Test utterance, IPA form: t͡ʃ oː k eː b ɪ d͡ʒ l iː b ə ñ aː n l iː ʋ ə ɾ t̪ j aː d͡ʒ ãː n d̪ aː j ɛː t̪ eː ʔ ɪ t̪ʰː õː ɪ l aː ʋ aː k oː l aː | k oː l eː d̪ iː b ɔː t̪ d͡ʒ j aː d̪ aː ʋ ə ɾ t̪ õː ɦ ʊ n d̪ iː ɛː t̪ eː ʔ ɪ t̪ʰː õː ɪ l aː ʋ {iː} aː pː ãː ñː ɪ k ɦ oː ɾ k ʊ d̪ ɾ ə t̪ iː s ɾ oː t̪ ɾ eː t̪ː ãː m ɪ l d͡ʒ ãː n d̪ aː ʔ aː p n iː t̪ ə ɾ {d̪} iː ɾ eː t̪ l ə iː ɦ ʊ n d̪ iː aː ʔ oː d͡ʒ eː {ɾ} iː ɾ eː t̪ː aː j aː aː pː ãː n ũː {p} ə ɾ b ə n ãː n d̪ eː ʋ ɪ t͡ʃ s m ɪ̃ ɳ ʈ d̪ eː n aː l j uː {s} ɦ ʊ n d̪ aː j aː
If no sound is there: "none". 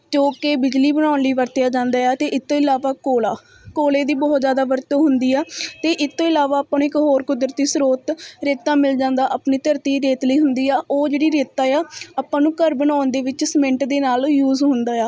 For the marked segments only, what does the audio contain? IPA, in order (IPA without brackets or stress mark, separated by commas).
aː, t̪, ɽ, k, z